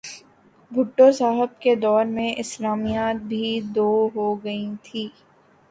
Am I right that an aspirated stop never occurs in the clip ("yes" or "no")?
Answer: no